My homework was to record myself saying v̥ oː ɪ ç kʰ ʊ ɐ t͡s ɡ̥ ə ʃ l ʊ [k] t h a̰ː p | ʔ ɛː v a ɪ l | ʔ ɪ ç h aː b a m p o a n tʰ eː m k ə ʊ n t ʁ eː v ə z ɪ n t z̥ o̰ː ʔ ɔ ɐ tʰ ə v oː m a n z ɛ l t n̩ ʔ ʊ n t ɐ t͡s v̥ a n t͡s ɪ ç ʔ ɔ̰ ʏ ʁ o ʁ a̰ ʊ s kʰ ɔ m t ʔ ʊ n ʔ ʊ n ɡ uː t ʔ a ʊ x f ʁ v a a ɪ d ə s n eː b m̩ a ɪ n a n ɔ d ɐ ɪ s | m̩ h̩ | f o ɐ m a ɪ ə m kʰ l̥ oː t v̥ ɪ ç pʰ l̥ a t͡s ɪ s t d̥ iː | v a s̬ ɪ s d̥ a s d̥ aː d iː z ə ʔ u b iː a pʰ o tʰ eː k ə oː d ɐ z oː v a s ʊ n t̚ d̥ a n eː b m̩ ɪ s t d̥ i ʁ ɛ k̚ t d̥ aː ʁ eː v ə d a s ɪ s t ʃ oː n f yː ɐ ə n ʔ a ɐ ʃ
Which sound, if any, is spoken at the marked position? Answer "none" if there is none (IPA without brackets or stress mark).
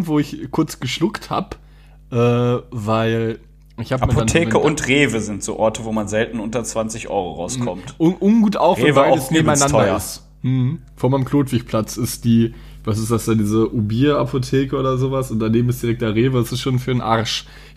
k